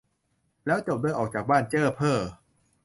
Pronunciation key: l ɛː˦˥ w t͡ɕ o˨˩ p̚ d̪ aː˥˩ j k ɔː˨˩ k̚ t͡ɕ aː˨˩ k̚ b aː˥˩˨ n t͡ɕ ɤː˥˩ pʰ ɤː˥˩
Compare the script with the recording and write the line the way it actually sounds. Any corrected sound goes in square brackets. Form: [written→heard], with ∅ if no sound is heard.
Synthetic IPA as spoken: l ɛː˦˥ w t͡ɕ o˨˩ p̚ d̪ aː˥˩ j [k→ʔ] ɔː˨˩ k̚ t͡ɕ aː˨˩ k̚ b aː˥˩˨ n t͡ɕ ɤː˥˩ pʰ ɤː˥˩